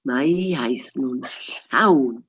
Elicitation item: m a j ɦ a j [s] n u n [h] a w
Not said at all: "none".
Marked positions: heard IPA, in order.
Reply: s, h

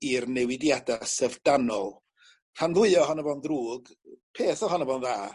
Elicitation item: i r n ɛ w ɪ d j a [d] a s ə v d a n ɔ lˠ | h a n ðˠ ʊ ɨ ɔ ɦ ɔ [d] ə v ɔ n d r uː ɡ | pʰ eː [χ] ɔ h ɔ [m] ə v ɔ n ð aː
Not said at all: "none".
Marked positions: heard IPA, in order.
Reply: d, n, θ, n

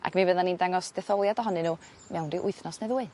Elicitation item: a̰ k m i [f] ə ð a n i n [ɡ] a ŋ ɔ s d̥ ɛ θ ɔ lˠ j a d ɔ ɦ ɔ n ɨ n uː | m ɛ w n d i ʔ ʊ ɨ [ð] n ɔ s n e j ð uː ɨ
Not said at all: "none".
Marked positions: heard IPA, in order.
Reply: v, d, θ

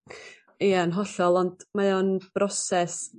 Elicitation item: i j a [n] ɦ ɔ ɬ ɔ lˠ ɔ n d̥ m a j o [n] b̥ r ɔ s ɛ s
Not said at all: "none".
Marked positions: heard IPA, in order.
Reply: n, n

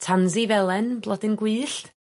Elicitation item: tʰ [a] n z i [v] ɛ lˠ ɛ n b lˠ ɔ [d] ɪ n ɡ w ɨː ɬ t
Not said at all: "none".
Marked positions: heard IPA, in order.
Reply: a, v, d

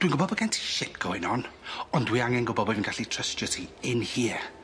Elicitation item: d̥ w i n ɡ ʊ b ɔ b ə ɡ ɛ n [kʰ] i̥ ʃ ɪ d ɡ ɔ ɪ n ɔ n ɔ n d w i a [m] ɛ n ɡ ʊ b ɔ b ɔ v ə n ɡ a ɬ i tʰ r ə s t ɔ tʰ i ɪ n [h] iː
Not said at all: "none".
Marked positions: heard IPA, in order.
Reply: tʰ, ŋ, h

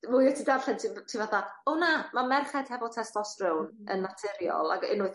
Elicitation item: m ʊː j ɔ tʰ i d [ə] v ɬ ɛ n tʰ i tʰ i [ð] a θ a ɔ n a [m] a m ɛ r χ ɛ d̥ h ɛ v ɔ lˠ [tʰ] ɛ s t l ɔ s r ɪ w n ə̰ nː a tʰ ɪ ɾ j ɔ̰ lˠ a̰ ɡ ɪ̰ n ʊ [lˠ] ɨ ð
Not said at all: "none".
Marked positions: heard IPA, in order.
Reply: a, v, m, tʰ, none

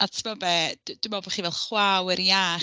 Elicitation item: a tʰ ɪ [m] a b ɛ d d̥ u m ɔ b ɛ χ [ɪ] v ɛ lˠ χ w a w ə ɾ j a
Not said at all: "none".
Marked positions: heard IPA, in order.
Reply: m, i

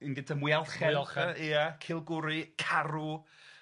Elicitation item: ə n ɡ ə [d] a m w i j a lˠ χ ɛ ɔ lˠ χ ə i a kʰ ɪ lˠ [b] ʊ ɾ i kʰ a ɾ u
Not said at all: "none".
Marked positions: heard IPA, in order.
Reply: d, ɡ

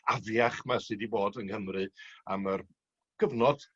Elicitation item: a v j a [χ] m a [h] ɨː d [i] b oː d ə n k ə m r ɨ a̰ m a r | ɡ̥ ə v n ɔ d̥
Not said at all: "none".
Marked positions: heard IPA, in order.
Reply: χ, s, i

